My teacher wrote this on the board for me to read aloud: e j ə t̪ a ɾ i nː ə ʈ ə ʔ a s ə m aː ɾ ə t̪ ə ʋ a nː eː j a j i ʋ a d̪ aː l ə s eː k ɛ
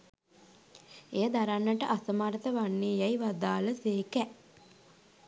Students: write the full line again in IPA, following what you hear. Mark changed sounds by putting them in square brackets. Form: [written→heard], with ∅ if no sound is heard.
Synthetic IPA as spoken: e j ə [t̪→d̪] a ɾ [i→a] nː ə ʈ ə ʔ a s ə m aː ɾ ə t̪ ə ʋ a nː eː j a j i ʋ a d̪ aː l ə s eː k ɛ